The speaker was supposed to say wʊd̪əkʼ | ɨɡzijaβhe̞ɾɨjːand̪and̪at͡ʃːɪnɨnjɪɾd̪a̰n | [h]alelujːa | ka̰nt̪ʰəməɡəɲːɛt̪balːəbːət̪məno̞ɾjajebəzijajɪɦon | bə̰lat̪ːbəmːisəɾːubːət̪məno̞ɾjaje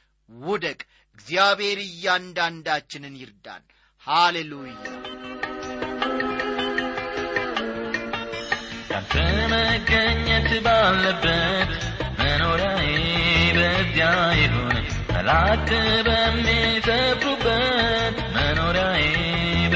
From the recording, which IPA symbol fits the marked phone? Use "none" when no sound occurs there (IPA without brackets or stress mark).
h